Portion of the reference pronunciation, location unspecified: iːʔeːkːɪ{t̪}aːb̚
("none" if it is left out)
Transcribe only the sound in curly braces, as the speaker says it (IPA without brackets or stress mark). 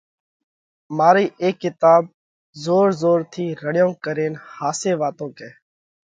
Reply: t̪